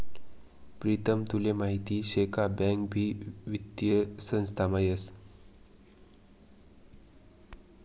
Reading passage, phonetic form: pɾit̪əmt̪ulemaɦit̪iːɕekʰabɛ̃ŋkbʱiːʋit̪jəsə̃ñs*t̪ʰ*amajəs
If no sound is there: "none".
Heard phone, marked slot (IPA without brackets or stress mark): t̪ʰ